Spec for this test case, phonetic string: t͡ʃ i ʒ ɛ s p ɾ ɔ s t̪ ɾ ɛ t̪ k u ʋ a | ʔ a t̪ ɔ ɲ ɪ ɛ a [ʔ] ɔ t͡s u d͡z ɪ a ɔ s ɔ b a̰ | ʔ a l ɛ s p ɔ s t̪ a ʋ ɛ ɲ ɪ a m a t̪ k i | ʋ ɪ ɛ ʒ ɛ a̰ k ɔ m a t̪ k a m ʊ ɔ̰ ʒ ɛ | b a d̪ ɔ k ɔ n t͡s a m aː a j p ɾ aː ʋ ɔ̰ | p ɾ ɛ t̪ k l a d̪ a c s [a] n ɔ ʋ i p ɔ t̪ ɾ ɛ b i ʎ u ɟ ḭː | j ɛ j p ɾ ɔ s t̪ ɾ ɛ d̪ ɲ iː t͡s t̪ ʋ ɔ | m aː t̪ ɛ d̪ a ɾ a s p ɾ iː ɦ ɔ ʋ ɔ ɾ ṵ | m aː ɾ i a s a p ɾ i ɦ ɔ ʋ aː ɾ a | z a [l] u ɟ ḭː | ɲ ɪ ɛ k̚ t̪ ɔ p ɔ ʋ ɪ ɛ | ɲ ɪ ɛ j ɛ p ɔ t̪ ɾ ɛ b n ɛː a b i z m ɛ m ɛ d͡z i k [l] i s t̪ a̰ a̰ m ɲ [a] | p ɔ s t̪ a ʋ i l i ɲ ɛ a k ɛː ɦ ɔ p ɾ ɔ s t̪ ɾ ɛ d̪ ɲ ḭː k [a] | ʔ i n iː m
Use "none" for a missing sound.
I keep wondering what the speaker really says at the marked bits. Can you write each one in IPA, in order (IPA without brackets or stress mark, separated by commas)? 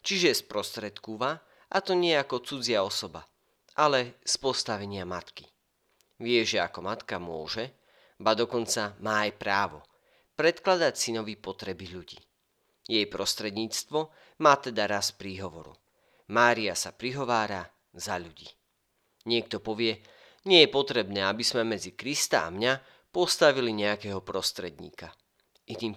k, i, ʎ, ɾ, a, a